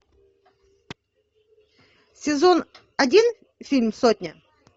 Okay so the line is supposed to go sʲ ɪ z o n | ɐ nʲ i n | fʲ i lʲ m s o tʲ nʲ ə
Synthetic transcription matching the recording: sʲ ɪ z o n | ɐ dʲ i n | fʲ i lʲ m s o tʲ nʲ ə